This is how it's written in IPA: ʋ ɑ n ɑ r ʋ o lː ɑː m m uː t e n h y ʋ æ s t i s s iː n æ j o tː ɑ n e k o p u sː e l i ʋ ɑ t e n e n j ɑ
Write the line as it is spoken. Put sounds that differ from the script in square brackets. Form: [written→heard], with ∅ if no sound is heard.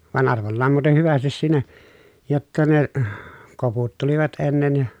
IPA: ʋ ɑ n ɑ r ʋ o lː ɑː m m uː t e n h y ʋ æ s t i s s iː n æ j o tː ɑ n e k o p u [sː→tː] e l i ʋ ɑ t e [n→nː] e n j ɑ